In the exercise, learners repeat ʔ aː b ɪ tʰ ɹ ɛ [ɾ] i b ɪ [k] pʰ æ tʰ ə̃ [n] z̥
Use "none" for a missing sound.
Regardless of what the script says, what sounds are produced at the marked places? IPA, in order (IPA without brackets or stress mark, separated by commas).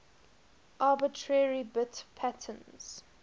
ɹ, t, n